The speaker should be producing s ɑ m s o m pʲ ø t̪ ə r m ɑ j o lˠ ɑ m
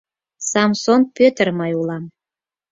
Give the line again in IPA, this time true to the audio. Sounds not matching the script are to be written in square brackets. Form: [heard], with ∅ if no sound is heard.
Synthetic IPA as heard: s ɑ m s o [n] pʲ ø t̪ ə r m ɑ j [u] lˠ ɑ m